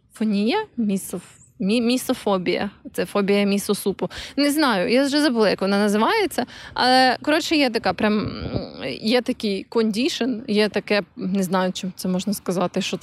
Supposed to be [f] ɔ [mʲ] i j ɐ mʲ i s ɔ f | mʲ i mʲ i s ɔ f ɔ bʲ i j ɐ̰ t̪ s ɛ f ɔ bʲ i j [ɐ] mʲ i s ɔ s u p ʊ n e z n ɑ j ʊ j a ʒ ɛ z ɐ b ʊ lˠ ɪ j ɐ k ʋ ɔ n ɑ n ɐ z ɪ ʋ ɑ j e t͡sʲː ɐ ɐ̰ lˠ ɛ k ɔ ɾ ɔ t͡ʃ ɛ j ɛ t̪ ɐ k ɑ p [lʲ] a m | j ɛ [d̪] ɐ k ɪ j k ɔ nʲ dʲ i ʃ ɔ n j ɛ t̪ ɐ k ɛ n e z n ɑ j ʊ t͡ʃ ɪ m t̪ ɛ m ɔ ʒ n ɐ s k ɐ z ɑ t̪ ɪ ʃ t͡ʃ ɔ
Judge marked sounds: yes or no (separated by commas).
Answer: yes, no, yes, no, no